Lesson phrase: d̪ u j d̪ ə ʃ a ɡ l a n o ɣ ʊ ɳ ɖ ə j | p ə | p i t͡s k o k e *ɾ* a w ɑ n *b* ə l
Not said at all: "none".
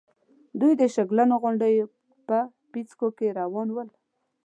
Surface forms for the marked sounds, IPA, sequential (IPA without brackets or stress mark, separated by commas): ɾ, w